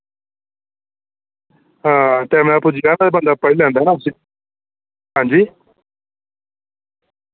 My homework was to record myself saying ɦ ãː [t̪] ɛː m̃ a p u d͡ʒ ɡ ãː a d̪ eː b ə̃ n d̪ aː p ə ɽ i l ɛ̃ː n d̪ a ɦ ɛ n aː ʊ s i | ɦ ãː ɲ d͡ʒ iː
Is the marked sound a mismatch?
no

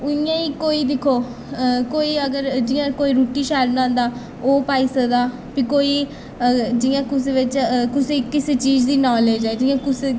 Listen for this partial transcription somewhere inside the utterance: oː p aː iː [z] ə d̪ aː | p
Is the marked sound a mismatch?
yes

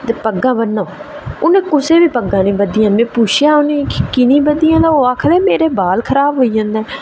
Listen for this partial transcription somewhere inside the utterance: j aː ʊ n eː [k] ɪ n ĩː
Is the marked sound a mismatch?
no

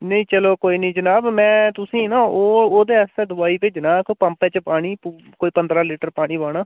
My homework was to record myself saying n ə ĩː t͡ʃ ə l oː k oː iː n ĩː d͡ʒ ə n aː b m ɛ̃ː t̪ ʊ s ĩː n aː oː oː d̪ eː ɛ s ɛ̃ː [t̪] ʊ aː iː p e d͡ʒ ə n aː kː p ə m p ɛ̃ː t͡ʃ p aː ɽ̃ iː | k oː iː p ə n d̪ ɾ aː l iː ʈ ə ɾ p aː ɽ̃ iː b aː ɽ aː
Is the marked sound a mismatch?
yes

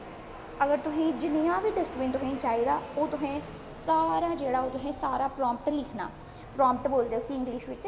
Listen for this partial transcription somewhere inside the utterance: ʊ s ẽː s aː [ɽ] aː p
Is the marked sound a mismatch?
yes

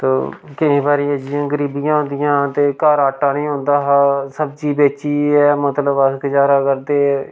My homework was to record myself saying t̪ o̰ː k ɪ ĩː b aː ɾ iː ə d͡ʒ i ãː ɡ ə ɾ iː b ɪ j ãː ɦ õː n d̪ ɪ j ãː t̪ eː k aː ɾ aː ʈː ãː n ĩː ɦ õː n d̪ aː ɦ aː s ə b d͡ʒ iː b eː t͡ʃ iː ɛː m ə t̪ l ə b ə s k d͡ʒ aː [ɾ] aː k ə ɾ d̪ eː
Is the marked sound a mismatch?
no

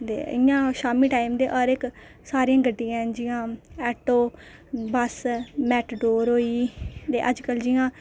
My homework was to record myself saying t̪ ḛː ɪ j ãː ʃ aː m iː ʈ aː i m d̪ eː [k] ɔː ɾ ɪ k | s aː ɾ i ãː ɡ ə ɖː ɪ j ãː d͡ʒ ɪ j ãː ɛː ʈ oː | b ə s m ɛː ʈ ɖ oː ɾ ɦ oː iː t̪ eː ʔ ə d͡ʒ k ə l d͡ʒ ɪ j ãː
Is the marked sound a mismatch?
yes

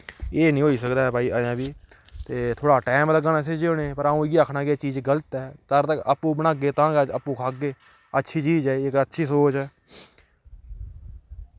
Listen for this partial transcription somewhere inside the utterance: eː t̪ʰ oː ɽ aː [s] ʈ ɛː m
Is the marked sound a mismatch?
yes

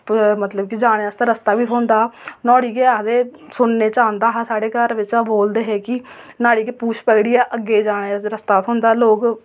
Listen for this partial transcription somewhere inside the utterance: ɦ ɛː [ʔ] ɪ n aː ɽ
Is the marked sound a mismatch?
yes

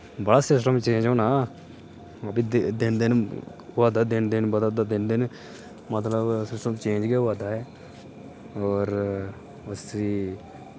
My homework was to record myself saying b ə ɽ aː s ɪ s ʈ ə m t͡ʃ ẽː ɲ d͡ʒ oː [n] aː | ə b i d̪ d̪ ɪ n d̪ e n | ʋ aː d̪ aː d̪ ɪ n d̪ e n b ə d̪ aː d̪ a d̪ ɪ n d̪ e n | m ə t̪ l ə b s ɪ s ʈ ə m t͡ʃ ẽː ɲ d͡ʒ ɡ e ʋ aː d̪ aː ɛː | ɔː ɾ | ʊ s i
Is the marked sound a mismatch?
no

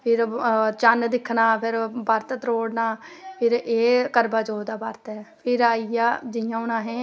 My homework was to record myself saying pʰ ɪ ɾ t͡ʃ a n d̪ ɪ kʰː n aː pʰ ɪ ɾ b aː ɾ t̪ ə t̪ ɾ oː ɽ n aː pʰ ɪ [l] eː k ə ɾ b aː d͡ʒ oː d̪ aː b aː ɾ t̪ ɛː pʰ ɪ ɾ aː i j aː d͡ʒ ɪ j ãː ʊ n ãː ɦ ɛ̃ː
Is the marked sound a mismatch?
yes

